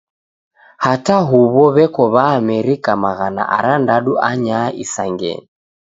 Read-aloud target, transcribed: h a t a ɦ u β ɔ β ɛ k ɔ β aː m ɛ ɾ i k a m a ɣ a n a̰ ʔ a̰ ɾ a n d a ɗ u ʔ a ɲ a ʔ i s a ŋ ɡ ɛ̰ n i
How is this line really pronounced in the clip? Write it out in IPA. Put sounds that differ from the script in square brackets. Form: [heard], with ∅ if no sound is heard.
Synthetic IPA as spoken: h a t a ɦ u β ɔ β ɛ k ɔ β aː m ɛ ɾ i k a m a ɣ a n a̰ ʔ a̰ ɾ a n d a ɗ u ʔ a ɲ a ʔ i s a ŋ ɡ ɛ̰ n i